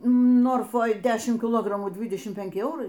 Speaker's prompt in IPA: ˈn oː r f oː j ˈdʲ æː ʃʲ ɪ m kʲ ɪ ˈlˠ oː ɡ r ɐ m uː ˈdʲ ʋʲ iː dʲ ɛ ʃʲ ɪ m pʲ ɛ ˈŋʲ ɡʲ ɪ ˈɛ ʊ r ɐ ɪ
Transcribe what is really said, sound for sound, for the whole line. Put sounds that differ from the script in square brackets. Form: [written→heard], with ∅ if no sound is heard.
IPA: ˈn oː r f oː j ˈdʲ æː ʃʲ ɪ m kʲ ɪ ˈlˠ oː ɡ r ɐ m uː ˈdʲ ʋʲ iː dʲ ɛ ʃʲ ɪ m pʲ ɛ ˈŋʲ [ɡʲ→kʲ] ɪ ˈɛ ʊ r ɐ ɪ